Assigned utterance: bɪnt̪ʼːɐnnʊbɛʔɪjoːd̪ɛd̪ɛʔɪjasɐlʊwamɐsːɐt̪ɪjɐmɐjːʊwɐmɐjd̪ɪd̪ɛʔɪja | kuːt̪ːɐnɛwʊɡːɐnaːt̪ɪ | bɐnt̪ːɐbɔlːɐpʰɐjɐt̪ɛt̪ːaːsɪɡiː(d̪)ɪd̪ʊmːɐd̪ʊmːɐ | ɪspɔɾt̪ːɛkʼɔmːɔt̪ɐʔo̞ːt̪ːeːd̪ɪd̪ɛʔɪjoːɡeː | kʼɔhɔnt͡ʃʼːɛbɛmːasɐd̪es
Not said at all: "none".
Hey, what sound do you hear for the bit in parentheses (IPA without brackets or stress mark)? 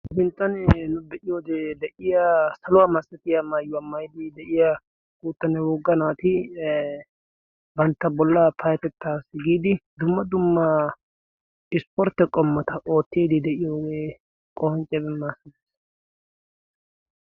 d̪